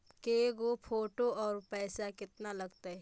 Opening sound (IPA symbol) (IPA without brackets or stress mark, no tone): k